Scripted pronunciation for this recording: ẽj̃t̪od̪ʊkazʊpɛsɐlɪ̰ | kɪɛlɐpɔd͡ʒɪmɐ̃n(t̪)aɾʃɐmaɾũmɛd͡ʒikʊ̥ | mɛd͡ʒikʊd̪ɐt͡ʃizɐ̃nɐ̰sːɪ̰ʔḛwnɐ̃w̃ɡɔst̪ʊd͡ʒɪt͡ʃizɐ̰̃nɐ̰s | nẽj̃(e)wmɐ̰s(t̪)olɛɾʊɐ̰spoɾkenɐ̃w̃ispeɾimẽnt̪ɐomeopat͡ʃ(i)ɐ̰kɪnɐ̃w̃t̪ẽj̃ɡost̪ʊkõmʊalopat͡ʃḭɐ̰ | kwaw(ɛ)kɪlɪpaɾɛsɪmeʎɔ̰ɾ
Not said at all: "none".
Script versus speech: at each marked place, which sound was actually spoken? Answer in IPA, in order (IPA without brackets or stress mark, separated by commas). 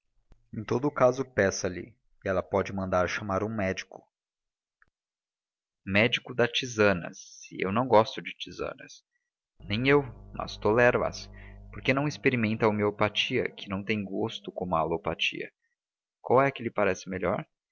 d̪, e, t̪, i, ɛ